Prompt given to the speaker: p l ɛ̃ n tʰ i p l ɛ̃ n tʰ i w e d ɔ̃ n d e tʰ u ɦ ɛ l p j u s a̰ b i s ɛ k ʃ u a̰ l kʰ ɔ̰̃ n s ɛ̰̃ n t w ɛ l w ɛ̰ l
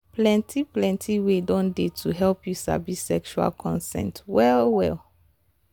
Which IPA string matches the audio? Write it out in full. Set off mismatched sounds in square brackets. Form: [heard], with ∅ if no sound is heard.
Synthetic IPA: p l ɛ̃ n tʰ i p l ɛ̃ n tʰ i w e d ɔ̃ n d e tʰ u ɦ ɛ l p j u s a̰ b i s ɛ k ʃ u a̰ l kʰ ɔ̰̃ n s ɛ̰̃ n t w ɛ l w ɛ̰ l